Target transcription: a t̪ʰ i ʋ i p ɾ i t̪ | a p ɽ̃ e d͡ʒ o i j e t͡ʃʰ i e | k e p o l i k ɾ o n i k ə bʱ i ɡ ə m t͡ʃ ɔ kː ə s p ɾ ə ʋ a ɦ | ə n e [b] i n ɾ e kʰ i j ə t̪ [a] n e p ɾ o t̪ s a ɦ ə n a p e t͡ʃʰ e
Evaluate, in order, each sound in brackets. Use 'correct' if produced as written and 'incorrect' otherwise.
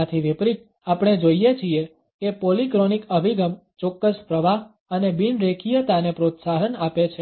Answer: correct, correct

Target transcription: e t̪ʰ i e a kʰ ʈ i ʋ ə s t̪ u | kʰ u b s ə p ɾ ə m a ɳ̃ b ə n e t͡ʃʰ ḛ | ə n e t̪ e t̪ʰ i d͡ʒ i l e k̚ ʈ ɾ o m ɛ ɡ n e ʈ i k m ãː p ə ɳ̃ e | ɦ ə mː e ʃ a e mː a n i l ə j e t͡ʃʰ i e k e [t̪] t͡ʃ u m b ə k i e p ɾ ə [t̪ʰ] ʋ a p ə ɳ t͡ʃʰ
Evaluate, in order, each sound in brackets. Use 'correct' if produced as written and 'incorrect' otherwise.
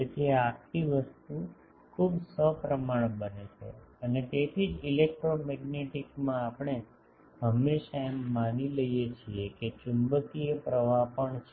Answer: incorrect: none, incorrect: none

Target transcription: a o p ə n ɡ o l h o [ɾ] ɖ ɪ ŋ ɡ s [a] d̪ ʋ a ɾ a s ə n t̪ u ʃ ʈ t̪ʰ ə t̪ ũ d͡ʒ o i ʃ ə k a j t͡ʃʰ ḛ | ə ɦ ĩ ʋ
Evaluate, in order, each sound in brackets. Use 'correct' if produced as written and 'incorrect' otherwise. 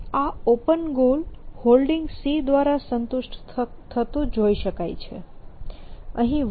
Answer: incorrect: l, incorrect: i

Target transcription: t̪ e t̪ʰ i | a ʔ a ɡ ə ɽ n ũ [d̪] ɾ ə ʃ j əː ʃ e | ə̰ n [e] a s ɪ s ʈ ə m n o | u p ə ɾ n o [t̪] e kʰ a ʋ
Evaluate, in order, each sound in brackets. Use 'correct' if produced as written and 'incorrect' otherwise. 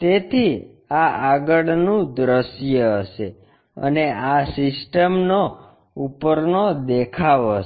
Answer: correct, correct, incorrect: d̪

